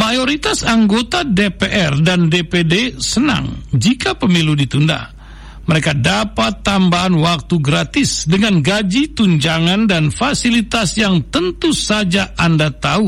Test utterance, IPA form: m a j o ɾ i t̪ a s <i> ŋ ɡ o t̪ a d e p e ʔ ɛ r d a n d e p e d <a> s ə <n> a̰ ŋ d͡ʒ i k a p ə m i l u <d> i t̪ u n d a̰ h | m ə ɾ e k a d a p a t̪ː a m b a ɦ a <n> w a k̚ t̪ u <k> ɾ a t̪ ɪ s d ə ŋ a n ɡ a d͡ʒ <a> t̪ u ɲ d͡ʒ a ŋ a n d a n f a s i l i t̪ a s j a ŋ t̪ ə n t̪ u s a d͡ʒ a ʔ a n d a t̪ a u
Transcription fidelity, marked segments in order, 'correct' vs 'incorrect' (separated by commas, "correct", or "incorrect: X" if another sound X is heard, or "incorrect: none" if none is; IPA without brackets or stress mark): incorrect: a, incorrect: e, correct, correct, correct, incorrect: ɡ, incorrect: i